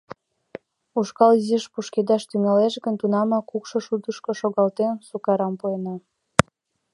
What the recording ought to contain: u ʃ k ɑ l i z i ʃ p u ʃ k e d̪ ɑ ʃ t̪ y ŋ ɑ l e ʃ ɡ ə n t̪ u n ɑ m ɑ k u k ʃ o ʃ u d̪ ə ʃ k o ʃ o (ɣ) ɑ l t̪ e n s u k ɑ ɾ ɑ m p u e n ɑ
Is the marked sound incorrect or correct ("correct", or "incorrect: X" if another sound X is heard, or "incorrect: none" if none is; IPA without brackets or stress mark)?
correct